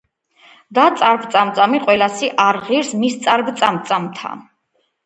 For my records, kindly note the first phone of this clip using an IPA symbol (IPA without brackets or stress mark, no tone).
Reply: d̪